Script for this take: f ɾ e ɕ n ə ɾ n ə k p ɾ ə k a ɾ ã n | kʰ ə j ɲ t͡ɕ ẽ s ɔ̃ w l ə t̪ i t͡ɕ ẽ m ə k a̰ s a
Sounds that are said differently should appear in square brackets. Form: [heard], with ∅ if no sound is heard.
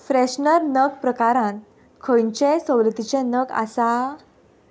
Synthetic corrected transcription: f ɾ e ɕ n ə ɾ n ə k p ɾ ə k a ɾ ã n | kʰ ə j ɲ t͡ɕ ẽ s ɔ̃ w l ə t̪ i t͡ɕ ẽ [n] ə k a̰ s a